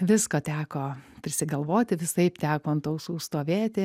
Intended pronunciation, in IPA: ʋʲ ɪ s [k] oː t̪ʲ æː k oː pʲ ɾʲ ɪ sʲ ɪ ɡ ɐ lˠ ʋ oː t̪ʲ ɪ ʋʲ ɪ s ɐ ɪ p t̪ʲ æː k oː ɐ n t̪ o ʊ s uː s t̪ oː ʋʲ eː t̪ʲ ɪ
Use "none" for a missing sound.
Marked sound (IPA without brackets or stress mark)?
k